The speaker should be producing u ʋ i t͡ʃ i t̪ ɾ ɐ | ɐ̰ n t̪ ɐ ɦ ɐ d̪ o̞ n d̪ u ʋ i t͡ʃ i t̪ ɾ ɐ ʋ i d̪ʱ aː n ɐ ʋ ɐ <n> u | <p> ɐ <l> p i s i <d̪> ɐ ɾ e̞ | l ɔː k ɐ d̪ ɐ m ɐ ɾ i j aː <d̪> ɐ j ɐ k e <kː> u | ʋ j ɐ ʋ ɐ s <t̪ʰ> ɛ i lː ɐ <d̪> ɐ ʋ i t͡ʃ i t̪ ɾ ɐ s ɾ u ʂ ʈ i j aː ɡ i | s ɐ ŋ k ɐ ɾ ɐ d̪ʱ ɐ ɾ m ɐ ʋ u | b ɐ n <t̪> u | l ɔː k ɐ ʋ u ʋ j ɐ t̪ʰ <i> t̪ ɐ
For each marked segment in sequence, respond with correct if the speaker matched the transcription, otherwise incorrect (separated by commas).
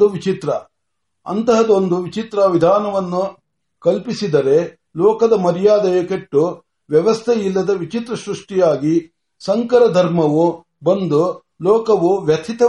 incorrect, incorrect, correct, correct, correct, incorrect, correct, correct, incorrect, correct